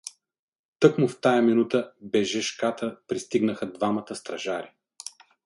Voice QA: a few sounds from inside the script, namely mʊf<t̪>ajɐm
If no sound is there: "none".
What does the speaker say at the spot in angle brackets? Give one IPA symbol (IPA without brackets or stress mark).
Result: t̪